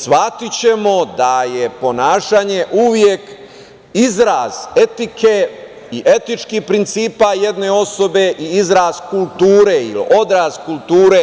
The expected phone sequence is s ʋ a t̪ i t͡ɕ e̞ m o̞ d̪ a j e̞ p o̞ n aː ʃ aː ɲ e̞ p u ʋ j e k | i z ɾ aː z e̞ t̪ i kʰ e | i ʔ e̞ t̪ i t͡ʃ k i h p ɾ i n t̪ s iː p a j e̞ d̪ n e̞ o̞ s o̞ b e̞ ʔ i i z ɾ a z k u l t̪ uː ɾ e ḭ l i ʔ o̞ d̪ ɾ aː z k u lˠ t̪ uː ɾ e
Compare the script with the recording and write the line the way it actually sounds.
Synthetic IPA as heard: s ʋ a t̪ i t͡ɕ e̞ m o̞ d̪ a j e̞ p o̞ n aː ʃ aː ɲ e̞ ʔ u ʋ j e k | i z ɾ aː z e̞ t̪ i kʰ e | i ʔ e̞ t̪ i t͡ʃ k i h p ɾ i n t̪ s iː p a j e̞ d̪ n e̞ o̞ s o̞ b e̞ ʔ i i z ɾ a z k u l t̪ uː ɾ e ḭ l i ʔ o̞ d̪ ɾ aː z k u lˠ t̪ uː ɾ e

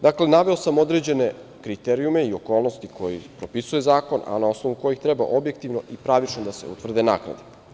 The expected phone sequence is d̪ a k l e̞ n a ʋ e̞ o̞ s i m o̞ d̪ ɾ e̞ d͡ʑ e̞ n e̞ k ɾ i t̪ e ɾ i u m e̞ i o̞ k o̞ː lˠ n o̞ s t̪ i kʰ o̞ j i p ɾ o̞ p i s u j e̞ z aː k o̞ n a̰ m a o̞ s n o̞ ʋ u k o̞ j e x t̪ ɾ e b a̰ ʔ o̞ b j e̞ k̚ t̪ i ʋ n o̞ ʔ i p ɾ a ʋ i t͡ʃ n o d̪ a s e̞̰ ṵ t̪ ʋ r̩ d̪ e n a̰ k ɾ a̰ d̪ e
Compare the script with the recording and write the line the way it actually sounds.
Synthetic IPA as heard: d̪ a k l e̞ n a ʋ e̞ o̞ s a m o̞ d̪ ɾ e̞ d͡ʑ e̞ n e̞ k ɾ i t̪ e ɾ i u m e̞ i o̞ k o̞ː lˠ n o̞ s t̪ i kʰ o̞ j i p ɾ o̞ p i s u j e̞ z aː k o̞ n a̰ n a o̞ s n o̞ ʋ u k o̞ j i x t̪ ɾ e b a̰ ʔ o̞ b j e̞ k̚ t̪ i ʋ n o̞ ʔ i p ɾ a ʋ i t͡ʃ n o d̪ a s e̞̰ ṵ t̪ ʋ r̩ d̪ e n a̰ k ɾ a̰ d̪ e

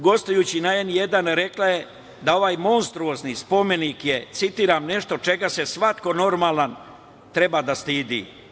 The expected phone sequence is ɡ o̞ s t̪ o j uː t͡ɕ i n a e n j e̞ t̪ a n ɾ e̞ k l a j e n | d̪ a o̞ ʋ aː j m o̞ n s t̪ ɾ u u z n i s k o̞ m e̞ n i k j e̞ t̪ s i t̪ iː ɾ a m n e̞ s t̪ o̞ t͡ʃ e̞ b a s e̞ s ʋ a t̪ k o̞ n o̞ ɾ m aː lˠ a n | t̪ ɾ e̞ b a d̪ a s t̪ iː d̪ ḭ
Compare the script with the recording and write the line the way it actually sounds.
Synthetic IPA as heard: ɡ o̞ s t̪ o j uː t͡ɕ i n a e n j e̞ d̪ a n ɾ e̞ k l a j e | d̪ a o̞ ʋ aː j m o̞ n s t̪ ɾ u o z n i s p o̞ m e̞ n i k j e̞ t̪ s i t̪ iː ɾ a m n e̞ ʃ t̪ o̞ t͡ʃ e̞ ɡ a s e̞ s ʋ a t̪ k o̞ n o̞ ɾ m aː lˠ a n | t̪ ɾ e̞ b a d̪ a s t̪ iː d̪ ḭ

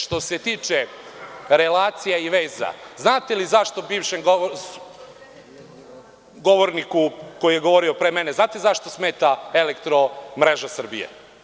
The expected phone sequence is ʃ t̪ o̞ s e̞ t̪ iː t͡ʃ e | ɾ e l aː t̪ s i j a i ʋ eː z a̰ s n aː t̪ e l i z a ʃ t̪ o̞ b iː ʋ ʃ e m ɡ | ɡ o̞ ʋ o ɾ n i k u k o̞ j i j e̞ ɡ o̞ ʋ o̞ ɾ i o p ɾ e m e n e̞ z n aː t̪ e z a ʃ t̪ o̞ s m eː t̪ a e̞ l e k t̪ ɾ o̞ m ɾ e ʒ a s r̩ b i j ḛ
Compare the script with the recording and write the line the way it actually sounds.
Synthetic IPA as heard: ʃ t̪ o̞ s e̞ t̪ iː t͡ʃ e | ɾ e l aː t̪ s i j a i ʋ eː z a̰ z n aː t̪ e l i z a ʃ t̪ o̞ b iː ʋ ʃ e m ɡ | ɡ o̞ ʋ o ɾ n i k u k o̞ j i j e̞ ɡ o̞ ʋ o̞ ɾ i o p ɾ e m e n e̞ z n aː t̪ e z a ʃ t̪ o̞ s m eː t̪ a e̞ l e k t̪ ɾ o̞ m ɾ e ʒ a s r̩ b i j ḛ

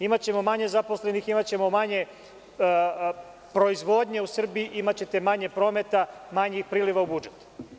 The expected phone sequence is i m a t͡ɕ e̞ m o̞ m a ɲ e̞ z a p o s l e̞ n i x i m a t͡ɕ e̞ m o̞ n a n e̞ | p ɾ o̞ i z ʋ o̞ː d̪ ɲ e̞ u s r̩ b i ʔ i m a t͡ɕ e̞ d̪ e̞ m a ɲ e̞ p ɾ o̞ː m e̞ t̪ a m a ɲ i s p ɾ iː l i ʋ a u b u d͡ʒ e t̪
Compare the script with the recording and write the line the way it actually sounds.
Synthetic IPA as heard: i m a t͡ɕ e̞ m o̞ m a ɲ e̞ z a p o s l e̞ n i x i m a t͡ɕ e̞ m o̞ m a ɲ e̞ | p ɾ o̞ i z ʋ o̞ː d̪ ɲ e̞ u s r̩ b i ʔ i m a t͡ɕ e̞ t̪ e̞ m a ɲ e̞ p ɾ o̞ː m e̞ t̪ a m a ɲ i x p ɾ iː l i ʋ a u b u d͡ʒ e t̪

